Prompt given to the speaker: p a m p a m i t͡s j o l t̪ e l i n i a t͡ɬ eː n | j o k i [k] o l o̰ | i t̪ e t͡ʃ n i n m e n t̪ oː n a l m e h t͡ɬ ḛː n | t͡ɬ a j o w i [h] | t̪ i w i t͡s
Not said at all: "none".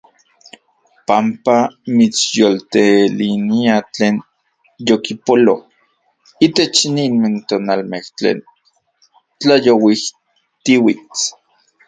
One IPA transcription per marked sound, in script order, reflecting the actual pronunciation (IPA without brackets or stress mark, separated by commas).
p, h